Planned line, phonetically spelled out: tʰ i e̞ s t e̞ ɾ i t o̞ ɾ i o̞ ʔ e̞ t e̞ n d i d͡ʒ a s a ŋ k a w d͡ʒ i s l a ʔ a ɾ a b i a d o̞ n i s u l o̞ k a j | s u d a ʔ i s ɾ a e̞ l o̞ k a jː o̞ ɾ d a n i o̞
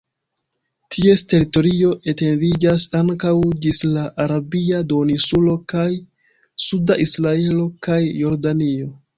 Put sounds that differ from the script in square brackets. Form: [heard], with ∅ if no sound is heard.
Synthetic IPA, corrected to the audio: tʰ i e̞ s t e̞ ɾ i t o̞ ɾ i o̞ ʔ e̞ t e̞ n d i d͡ʒ a s a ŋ k a w d͡ʒ i s l a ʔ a ɾ a b i a d o̞ n i s u l o̞ k a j | s u d a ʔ i s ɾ a e̞ l o̞ k a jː o̞ ɾ d a n i o̞